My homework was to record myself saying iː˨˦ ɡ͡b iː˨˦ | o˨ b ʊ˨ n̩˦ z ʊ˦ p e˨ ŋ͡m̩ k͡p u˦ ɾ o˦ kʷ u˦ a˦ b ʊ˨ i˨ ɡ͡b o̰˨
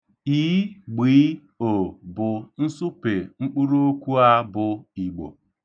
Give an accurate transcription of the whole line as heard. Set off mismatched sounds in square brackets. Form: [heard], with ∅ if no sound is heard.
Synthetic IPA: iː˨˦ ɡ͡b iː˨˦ | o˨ b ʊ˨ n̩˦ [s] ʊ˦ p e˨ ŋ͡m̩ k͡p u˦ ɾ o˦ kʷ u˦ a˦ b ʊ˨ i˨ ɡ͡b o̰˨

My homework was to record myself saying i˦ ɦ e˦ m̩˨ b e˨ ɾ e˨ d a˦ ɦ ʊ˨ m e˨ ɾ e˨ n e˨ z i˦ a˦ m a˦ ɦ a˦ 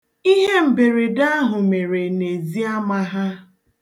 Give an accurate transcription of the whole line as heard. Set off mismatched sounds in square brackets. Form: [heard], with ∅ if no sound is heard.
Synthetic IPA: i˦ ɦ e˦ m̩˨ b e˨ ɾ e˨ d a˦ ɦ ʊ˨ m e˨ ɾ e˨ n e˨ z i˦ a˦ m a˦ ɦ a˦

